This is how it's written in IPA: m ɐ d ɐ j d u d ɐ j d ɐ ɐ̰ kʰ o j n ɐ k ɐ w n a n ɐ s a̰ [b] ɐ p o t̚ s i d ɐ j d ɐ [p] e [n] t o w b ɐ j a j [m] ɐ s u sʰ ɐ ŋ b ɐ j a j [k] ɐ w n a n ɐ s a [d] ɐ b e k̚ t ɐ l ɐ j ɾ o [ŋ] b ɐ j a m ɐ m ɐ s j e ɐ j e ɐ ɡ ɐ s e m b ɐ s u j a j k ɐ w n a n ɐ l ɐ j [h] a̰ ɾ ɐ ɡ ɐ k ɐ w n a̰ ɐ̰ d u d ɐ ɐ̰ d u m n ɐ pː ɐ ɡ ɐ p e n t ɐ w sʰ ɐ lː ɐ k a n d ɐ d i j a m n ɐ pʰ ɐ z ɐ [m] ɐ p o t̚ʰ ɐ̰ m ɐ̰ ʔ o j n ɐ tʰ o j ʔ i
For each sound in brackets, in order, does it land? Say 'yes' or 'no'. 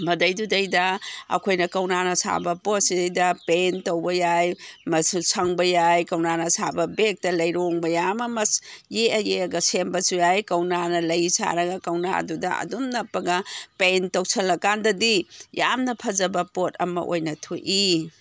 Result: yes, yes, yes, yes, yes, no, yes, no, no

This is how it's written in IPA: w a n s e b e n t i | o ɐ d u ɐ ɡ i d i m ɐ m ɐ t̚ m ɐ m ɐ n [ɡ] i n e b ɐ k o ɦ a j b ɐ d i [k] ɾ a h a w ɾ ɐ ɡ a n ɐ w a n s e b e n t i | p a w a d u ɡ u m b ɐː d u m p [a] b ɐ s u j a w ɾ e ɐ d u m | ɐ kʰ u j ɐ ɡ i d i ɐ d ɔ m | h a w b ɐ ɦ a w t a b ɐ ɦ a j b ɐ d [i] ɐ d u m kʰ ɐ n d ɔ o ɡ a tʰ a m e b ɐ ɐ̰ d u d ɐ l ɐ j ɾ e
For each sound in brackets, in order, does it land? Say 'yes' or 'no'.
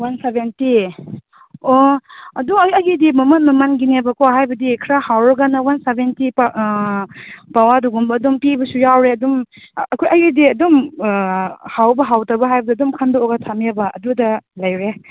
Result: yes, no, no, yes

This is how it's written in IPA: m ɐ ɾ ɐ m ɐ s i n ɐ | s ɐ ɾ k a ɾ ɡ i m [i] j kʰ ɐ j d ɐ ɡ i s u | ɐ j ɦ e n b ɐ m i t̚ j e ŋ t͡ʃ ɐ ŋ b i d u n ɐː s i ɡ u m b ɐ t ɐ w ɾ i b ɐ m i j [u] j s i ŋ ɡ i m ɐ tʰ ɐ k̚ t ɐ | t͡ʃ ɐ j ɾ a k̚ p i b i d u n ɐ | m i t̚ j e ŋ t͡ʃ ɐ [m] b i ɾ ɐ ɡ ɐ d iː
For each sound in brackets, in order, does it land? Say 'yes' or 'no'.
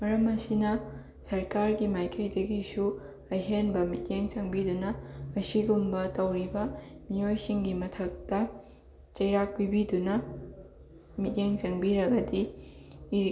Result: no, no, no

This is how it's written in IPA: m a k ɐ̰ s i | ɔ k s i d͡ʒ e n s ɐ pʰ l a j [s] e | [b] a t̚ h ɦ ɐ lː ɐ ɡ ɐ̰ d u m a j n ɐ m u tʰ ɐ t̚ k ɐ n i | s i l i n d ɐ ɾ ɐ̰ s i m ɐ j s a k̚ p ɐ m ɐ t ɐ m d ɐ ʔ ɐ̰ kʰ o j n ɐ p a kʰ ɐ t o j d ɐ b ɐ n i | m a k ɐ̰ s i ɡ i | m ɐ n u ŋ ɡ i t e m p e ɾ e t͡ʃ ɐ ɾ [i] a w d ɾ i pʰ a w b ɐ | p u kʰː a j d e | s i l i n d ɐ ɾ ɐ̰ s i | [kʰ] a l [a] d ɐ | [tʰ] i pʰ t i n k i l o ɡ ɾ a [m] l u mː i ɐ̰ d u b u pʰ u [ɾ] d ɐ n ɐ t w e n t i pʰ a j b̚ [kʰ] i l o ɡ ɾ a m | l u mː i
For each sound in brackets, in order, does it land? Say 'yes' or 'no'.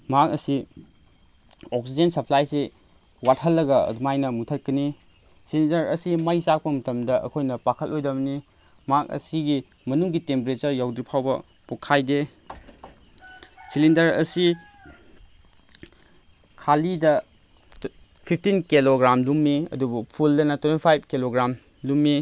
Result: yes, no, no, yes, no, no, yes, no, no

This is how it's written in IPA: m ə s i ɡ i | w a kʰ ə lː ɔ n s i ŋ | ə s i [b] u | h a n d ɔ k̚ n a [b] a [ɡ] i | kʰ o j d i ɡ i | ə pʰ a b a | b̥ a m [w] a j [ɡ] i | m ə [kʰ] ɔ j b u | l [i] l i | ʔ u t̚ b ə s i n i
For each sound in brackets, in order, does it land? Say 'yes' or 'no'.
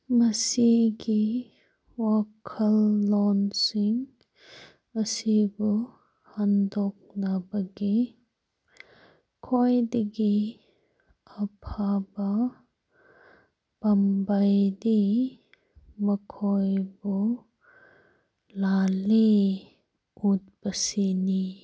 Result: yes, yes, yes, no, no, yes, no

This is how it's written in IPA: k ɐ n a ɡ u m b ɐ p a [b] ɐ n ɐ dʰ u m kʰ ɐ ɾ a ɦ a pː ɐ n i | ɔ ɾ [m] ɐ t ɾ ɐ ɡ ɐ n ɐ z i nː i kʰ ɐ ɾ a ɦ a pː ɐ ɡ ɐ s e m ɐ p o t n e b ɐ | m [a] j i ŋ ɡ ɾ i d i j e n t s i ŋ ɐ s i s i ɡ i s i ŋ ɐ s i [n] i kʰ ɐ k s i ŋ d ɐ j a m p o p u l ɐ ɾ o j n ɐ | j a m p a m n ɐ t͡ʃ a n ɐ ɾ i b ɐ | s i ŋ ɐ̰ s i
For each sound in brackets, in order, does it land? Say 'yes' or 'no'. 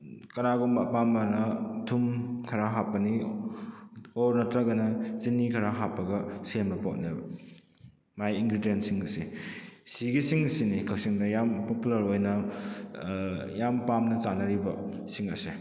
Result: no, no, yes, yes

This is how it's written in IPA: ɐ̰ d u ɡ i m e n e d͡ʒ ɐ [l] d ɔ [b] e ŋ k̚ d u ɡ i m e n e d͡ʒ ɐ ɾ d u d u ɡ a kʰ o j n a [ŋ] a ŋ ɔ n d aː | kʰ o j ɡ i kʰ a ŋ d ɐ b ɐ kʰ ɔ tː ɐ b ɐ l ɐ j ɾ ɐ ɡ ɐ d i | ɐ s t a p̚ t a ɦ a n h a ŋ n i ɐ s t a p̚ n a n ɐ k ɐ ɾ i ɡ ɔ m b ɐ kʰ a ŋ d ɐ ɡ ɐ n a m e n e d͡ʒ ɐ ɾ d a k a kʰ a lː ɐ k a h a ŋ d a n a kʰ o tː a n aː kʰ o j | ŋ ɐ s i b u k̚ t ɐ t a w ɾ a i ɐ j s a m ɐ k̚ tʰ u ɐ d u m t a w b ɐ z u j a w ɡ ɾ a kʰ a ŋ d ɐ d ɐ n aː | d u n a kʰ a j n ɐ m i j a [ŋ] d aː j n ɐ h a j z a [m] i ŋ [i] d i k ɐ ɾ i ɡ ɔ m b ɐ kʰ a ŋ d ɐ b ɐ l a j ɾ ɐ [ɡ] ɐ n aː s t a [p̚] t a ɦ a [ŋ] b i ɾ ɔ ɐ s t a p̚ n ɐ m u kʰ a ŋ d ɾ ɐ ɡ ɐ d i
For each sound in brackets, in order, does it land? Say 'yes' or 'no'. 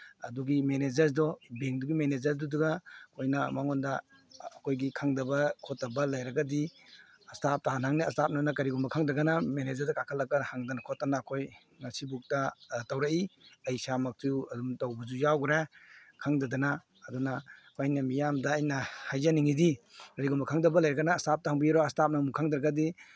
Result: no, yes, no, no, no, yes, yes, yes, yes

